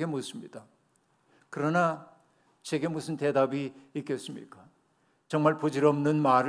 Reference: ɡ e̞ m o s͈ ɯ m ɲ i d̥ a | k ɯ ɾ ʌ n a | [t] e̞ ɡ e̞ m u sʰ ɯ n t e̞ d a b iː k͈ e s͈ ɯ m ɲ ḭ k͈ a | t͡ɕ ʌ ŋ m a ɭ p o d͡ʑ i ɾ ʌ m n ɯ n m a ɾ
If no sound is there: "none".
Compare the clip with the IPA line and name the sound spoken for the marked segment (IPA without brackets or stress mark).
t͡ɕ